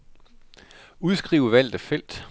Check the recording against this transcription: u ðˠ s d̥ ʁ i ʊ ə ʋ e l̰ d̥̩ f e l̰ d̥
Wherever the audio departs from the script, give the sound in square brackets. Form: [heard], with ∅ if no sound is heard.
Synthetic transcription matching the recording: u ðˠ s [ɡ̥] ʁ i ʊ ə ʋ [æ] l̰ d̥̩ f e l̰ d̥

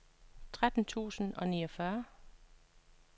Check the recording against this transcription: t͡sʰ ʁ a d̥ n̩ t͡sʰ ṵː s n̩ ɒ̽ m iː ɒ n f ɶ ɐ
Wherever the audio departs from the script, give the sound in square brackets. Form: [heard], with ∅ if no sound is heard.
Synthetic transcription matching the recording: t͡sʰ ʁ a d̥ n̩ t͡sʰ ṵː s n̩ ɒ̽ [n] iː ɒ [∅] f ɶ ɐ

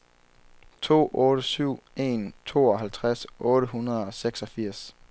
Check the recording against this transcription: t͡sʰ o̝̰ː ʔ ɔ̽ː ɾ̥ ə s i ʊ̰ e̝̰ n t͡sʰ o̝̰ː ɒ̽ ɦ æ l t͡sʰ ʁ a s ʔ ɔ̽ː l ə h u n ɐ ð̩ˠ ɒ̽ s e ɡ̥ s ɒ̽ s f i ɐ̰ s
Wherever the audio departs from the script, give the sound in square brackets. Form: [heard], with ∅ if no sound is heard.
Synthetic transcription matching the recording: t͡sʰ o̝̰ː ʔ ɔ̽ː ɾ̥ ə s [y] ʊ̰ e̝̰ n t͡sʰ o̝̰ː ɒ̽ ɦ æ l t͡sʰ ʁ a s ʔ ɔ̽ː [ɾ] ə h u n ɐ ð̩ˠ ɒ̽ s e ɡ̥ s ɒ̽ [∅] f i ɐ̰ s

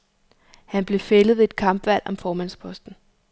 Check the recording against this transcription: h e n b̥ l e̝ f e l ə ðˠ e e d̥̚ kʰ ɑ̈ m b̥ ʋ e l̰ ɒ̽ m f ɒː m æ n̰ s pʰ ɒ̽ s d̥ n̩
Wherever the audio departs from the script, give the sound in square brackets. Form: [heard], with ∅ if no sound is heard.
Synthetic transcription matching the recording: h [æ] n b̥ l e̝ f e l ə ðˠ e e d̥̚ kʰ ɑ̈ m b̥ ʋ [æ] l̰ ɒ̽ m f ɒː m æ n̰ s pʰ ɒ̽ s d̥ n̩

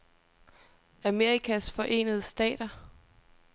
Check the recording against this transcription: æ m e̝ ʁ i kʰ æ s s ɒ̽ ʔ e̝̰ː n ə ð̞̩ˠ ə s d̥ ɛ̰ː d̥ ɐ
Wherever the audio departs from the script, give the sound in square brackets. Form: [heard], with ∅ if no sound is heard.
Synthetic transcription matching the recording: æ m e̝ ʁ i kʰ æ s [f] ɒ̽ ʔ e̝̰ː n ə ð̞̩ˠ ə s d̥ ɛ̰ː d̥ ɐ

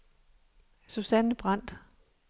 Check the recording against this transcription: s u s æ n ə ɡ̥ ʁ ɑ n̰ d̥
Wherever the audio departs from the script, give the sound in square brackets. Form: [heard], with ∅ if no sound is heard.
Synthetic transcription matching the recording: s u s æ n ə [b̥] ʁ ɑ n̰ d̥

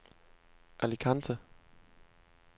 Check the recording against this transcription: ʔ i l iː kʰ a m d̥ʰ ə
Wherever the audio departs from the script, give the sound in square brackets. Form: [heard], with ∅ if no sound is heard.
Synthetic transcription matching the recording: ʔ [æ] l [i] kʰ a [n] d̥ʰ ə

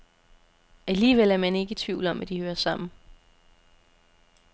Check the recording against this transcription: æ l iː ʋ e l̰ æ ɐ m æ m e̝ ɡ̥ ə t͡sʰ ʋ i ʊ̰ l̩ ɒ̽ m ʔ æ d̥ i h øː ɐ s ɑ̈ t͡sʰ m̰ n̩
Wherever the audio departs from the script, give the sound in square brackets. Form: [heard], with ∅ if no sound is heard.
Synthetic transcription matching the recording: æ l iː ʋ e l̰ æ ɐ m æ [n] e̝ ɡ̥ ə t͡sʰ ʋ i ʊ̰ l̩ ɒ̽ m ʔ æ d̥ i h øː ɐ s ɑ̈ [∅] m̰ n̩

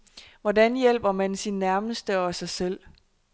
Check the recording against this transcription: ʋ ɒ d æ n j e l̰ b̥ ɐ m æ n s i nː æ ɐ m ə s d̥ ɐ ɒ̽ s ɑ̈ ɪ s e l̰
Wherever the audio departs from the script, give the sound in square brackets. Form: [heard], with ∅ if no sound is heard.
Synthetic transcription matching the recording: ʋ ɒ d æ n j e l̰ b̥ ɐ m æ n s i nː æ ɐ m ə s d̥ [ə] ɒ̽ s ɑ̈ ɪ s e l̰

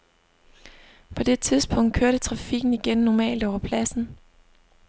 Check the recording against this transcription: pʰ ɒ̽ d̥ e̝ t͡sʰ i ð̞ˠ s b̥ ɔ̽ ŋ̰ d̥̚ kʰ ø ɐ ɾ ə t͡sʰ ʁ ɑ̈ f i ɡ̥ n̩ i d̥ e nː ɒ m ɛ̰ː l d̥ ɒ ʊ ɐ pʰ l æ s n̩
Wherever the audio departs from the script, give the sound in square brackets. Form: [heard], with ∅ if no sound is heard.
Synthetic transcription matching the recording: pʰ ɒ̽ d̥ e̝ t͡sʰ i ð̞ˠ s b̥ ɔ̽ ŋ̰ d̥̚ kʰ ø ɐ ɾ ə t͡sʰ ʁ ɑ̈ f i ɡ̥ n̩ i [ɡ̥] e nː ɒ m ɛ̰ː l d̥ ɒ ʊ ɐ pʰ l æ s n̩

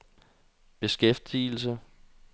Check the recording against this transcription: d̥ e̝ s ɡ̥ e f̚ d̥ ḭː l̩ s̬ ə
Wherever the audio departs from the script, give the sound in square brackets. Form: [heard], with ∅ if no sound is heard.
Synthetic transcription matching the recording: [b̥] e̝ s ɡ̥ e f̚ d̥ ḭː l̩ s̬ ə

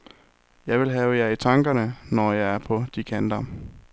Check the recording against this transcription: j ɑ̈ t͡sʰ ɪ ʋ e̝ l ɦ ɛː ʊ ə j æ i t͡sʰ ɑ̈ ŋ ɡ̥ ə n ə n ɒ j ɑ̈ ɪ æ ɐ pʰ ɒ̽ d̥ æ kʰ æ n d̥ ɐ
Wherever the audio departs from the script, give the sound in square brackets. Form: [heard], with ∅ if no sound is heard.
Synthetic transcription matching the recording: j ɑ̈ [∅] ɪ ʋ e̝ l ɦ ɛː ʊ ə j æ i t͡sʰ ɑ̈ ŋ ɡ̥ [ɐ] n ə n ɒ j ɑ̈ ɪ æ ɐ pʰ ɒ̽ d̥ [i] kʰ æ n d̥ ɐ

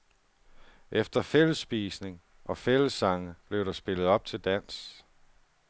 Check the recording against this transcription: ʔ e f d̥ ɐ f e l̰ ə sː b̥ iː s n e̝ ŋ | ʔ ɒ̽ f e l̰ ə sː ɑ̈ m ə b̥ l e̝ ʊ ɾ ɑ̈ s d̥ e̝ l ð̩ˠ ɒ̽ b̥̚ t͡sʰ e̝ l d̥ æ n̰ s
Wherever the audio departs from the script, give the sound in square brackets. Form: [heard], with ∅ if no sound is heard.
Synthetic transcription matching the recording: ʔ e f d̥ ɐ f e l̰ ə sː b̥ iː s n e̝ ŋ | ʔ ɒ̽ f e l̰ ə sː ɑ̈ [ŋ] ə b̥ l e̝ ʊ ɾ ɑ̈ s [b̥] e̝ l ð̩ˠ ɒ̽ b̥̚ t͡sʰ e̝ l d̥ æ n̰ s

